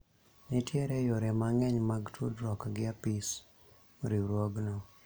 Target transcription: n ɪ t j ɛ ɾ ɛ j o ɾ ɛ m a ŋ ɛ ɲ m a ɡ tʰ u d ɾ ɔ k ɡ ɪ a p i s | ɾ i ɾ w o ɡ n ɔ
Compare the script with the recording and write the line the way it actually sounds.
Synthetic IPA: n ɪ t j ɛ ɾ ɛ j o ɾ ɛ m a ŋ ɛ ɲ m a ɡ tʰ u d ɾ ɔ k ɡ ɪ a p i s | ɾ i ɾ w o ɡ n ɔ